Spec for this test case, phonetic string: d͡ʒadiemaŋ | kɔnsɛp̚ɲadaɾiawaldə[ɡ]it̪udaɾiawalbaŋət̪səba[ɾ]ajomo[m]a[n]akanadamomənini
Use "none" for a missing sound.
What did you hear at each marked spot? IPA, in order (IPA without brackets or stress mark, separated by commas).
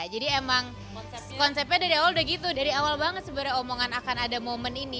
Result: ɡ, ɾ, ŋ, n